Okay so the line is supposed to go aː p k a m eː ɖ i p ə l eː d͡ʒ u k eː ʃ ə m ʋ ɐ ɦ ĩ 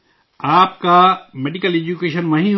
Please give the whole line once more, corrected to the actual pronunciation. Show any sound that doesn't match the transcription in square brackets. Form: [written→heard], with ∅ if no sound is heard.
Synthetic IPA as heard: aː p k a m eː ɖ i [p→k] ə l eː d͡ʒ u k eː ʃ ə [m→n] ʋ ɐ ɦ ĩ